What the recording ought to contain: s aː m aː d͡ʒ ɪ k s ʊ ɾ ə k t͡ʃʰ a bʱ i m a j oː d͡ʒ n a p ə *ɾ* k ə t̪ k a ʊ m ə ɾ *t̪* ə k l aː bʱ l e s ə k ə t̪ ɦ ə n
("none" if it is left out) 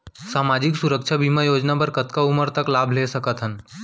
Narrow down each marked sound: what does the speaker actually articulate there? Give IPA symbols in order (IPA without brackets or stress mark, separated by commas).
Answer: ɾ, t̪